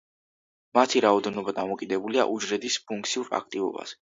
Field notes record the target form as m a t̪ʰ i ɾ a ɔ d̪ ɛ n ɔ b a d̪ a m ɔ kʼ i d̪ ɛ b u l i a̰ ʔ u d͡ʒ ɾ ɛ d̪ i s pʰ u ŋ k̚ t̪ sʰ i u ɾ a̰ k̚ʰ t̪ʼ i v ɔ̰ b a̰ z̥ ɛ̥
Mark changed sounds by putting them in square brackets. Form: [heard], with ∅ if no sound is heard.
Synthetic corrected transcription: m a t̪ʰ i ɾ a ɔ d̪ ɛ n ɔ b a d̪ a m ɔ kʼ i d̪ ɛ b u l i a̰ ʔ u d͡ʒ ɾ ɛ d̪ i s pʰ u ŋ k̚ t̪ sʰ i u ɾ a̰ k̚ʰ t̪ʼ i v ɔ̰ b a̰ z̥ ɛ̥